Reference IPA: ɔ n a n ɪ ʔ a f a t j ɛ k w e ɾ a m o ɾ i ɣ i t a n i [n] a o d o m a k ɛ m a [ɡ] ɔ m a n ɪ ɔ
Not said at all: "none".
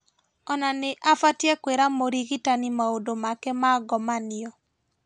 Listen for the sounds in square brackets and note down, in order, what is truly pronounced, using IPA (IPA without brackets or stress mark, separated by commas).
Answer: m, ɡ